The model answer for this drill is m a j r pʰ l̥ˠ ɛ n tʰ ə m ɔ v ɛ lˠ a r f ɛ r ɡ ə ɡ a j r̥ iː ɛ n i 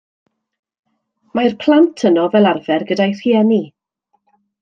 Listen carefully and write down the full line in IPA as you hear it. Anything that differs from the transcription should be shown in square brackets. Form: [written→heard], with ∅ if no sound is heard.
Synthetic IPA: m a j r pʰ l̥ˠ [ɛ→a] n tʰ ə [m→n] ɔ v ɛ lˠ a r [f→v] ɛ r ɡ ə [ɡ→d] a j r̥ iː ɛ n i